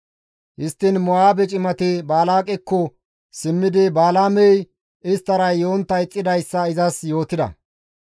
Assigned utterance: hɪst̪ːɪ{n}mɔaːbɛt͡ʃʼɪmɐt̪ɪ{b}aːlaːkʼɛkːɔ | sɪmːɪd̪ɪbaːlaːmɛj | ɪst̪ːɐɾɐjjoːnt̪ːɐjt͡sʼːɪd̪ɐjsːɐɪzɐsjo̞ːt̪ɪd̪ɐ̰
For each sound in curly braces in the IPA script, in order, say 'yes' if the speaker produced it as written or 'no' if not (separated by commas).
yes, yes